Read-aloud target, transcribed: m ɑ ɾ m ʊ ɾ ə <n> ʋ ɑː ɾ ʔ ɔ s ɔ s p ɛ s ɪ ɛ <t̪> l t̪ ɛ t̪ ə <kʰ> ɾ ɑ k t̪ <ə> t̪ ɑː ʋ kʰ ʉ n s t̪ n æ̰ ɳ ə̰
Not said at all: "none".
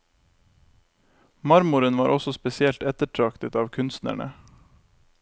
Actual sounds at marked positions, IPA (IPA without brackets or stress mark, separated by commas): n, none, ʈʰ, ə